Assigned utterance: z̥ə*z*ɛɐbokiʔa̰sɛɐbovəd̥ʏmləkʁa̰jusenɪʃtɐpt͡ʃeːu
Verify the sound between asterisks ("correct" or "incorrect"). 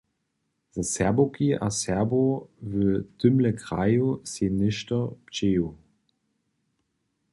incorrect